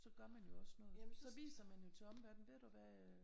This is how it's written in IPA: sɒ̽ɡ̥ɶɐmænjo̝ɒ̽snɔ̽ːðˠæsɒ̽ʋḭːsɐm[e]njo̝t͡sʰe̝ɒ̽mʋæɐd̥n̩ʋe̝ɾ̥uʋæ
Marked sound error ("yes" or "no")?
yes